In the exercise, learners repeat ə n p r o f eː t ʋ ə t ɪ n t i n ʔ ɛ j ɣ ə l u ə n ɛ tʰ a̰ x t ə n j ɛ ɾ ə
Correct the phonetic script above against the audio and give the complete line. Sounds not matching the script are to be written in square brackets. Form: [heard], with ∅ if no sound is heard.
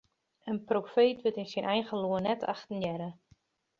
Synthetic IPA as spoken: ə n p r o f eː t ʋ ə t ɪ n [s] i n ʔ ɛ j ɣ ə l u ə n ɛ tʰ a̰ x t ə n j ɛ ɾ ə